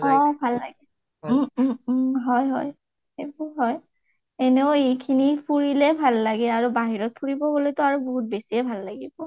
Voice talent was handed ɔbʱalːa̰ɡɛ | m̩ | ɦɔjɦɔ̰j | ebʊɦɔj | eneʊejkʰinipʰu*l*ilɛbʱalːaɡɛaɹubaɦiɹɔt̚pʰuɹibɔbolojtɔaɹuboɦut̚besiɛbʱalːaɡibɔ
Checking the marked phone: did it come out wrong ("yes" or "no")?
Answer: yes